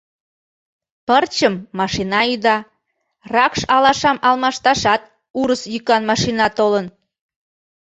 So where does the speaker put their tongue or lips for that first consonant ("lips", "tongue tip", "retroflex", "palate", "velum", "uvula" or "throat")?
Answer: lips